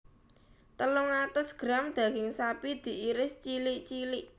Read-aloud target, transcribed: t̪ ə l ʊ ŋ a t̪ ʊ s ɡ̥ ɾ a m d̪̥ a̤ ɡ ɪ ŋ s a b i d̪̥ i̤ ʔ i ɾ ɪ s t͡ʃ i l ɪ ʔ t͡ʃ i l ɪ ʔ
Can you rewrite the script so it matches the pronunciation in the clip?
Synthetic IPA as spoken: t̪ ə l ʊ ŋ a t̪ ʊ s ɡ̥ ɾ a m d̪̥ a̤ ɡ ɪ ŋ s a p i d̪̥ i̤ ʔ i ɾ ɪ s t͡ʃ i l ɪ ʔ t͡ʃ i l ɪ ʔ